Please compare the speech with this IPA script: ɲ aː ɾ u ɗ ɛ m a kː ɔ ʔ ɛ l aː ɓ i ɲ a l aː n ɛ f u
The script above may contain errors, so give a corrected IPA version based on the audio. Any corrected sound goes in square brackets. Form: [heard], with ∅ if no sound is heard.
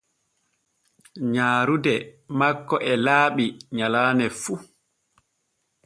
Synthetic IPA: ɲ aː ɾ u [d] ɛ m a kː ɔ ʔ ɛ l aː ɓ i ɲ a l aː n ɛ f u